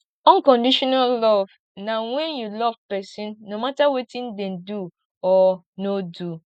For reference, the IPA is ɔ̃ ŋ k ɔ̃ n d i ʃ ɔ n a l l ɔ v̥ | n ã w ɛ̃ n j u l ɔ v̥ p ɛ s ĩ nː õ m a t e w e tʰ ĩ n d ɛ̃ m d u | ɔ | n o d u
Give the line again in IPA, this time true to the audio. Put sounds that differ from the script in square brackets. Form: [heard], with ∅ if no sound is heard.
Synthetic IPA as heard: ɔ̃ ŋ k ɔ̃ n d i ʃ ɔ n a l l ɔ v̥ | n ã w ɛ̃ n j u l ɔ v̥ p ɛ s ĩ nː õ m a t [a] w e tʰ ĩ n d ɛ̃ [n] d u | ɔ | n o d u